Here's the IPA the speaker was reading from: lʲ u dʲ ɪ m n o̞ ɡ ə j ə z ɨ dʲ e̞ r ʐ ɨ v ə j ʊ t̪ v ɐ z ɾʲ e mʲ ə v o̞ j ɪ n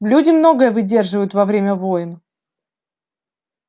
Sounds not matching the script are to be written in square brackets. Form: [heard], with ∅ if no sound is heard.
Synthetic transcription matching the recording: lʲ u dʲ ɪ m n o̞ ɡ ə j ə [v] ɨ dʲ e̞ r ʐ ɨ v ə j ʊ t̪ v ɐ [v] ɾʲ e mʲ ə v o̞ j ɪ n

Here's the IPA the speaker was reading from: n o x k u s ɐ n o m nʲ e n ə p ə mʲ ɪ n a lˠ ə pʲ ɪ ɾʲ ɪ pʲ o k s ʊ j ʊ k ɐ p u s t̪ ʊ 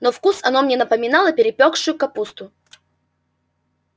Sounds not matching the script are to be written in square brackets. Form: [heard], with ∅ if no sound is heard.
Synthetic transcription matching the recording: n o [f] k u s ɐ n o m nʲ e n ə p ə mʲ ɪ n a lˠ ə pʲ ɪ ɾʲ ɪ pʲ o k [ʂ] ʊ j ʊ k ɐ p u s t̪ ʊ

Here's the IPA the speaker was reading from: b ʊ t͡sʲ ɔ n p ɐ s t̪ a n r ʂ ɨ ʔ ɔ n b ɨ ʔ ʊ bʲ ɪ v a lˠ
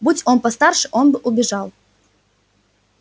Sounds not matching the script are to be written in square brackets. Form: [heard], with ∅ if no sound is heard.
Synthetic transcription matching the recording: b [u] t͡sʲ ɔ n p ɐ s t̪ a [∅] r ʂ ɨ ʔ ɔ n b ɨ ʔ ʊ bʲ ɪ [ʐ] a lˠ

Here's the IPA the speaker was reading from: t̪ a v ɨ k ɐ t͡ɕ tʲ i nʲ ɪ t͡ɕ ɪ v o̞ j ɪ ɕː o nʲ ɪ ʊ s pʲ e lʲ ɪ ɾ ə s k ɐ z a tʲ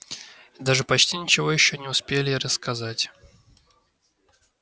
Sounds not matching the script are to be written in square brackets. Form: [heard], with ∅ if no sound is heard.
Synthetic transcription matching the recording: [d̪] a [ʐ] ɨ [p] ɐ t͡ɕ tʲ i nʲ ɪ t͡ɕ ɪ v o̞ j ɪ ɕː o nʲ ɪ ʊ s pʲ e lʲ ɪ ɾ ə s k ɐ z a tʲ

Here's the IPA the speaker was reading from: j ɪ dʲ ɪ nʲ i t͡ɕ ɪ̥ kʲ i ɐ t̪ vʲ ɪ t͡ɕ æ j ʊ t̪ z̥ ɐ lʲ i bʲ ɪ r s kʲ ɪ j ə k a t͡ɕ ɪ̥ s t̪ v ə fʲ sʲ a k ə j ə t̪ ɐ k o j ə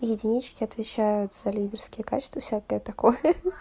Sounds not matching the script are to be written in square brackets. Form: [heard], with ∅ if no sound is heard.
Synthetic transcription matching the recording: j ɪ dʲ ɪ nʲ i t͡ɕ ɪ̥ kʲ [ɪ] ɐ t̪ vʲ ɪ t͡ɕ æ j ʊ t̪ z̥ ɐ lʲ i [dʲ] ɪ r s kʲ ɪ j ə k a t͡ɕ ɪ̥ s t̪ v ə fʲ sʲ a k ə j ə t̪ ɐ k o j ə

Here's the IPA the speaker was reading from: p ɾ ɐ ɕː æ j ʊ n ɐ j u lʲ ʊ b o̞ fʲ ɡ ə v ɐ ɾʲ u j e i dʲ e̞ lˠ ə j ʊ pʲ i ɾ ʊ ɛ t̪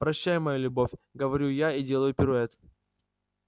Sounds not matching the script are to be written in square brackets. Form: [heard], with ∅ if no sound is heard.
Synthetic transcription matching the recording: p ɾ ɐ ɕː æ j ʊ [m] ɐ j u lʲ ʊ b o̞ fʲ ɡ ə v ɐ ɾʲ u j [a] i dʲ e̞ lˠ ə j ʊ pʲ [ɪ] ɾ ʊ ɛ t̪

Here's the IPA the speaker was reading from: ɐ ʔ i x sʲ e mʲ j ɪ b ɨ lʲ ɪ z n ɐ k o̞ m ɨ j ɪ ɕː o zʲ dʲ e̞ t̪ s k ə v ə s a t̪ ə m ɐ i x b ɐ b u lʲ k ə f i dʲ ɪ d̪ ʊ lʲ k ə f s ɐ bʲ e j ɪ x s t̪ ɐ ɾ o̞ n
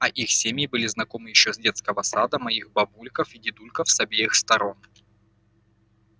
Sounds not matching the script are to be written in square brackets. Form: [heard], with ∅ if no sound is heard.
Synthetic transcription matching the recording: ɐ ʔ i x sʲ e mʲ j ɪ b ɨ lʲ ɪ z n ɐ k o̞ m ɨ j ɪ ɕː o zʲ dʲ e̞ t̪ s k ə v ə s a [d̪] ə m ɐ i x b ɐ b u lʲ k ə f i dʲ ɪ d̪ [u] lʲ k ə f s ɐ bʲ e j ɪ x s t̪ ɐ ɾ o̞ n

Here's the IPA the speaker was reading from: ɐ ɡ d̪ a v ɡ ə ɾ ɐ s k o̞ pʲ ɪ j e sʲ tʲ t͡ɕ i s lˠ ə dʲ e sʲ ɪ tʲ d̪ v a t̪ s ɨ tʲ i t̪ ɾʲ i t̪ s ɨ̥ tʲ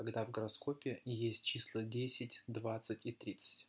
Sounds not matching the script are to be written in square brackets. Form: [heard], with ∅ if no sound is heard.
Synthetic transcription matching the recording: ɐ ɡ d̪ a v ɡ ə ɾ ɐ s k o̞ pʲ ɪ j e sʲ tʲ t͡ɕ i s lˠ ə dʲ e sʲ ɪ tʲ d̪ v a t̪ s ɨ tʲ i t̪ ɾʲ i t̪ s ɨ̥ tʲ

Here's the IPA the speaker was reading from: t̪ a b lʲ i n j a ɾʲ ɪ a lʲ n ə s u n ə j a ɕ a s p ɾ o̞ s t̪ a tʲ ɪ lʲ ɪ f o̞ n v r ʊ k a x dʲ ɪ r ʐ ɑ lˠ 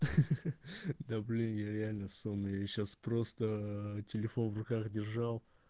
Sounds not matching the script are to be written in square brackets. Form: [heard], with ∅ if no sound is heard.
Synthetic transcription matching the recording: [d̪] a b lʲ i n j a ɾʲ ɪ a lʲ n ə s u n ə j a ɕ a s p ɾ o̞ s t̪ [ə] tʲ ɪ lʲ ɪ f o̞ n v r ʊ k a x dʲ ɪ r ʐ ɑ lˠ

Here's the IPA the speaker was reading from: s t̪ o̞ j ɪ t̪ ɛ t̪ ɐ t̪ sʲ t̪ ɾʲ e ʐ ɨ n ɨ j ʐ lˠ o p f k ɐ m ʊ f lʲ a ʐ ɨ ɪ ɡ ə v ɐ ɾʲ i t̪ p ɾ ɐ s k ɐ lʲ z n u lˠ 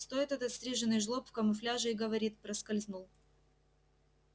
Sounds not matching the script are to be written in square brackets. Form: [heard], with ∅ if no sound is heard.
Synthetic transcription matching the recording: s t̪ o̞ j ɪ t̪ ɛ t̪ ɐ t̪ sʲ t̪ ɾʲ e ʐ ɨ n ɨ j ʐ lˠ o p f k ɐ m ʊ f lʲ a ʐ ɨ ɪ ɡ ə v ɐ ɾʲ i t̪ p ɾ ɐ s k ɐ lʲ z n u lˠ

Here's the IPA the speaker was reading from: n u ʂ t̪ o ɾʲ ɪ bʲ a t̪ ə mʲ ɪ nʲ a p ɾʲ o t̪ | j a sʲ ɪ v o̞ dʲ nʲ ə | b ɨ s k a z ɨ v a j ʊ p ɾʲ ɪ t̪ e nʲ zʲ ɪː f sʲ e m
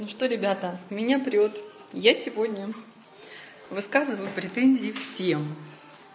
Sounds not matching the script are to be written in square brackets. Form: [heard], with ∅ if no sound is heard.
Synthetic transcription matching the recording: n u ʂ t̪ o ɾʲ ɪ bʲ a t̪ ə mʲ ɪ nʲ a p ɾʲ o t̪ | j a sʲ ɪ v o̞ dʲ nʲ ə | [v] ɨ s k a z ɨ v [ə] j ʊ p ɾʲ ɪ t̪ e nʲ zʲ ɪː f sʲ e m

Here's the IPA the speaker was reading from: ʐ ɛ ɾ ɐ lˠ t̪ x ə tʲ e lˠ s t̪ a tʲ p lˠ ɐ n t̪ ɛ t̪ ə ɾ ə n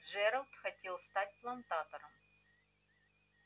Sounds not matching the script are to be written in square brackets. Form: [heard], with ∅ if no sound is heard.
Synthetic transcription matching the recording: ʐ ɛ ɾ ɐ lˠ t̪ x [ɐ] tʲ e lˠ s t̪ a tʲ p lˠ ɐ n t̪ [a] t̪ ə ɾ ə [m]

